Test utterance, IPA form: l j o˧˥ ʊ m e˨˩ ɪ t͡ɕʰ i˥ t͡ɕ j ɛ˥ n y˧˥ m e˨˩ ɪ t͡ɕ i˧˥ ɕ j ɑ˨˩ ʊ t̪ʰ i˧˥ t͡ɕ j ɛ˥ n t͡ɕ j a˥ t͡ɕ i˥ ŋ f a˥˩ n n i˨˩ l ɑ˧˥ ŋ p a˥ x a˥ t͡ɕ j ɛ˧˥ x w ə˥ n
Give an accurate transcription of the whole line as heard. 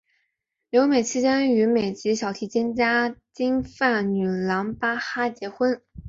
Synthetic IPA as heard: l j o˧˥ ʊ m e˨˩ ɪ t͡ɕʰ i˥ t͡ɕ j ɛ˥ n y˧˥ m e˨˩ ɪ t͡ɕ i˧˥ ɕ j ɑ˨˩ ʊ t̪ʰ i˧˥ t͡ɕ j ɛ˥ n t͡ɕ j a˥ t͡ɕ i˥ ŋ f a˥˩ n n y˨˩ l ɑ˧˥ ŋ p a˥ x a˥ t͡ɕ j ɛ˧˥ x w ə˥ n